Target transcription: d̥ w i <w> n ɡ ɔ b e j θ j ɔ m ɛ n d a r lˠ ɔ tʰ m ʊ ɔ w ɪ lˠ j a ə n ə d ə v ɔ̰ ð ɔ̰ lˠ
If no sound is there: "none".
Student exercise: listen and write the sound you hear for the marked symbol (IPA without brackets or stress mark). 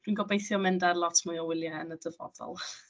none